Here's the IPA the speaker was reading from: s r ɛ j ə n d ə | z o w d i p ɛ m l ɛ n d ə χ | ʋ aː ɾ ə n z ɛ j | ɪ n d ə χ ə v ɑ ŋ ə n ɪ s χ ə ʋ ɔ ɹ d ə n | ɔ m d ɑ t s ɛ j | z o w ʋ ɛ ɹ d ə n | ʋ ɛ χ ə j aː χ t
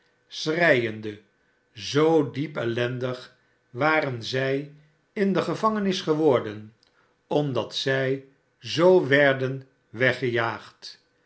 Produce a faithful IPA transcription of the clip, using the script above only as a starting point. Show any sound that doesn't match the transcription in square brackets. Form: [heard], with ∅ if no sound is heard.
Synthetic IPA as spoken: s r ɛ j ə n d ə | z o w d i p ɛ [∅] l ɛ n d ə χ | ʋ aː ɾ ə n z ɛ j | ɪ n d ə χ ə v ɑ ŋ ə n ɪ s χ ə ʋ ɔ ɹ d ə n | ɔ m d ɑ t s ɛ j | z o w ʋ ɛ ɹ d ə n | ʋ ɛ χ ə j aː χ t